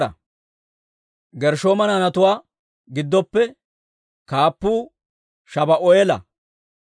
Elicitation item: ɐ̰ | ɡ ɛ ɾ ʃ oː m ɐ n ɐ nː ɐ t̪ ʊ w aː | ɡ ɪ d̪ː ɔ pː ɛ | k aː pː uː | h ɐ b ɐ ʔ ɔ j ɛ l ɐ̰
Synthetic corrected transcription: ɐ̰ | ɡ ɛ ɾ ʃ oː m ɐ n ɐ n ɐ t̪ ʊ w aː | ɡ ɪ d̪ː ɔ pː ɛ | k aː pː uː | ʃ ɐ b ɐ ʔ ɔ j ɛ l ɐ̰